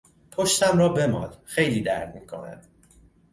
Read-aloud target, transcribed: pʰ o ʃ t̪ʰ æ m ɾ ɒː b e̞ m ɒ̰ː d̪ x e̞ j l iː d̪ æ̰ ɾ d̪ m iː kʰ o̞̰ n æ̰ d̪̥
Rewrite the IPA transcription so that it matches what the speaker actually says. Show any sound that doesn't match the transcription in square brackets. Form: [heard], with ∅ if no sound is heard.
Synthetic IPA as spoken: pʰ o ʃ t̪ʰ æ m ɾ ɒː b e̞ m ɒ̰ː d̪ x e̞ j l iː d̪ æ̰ ɾ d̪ m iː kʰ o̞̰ n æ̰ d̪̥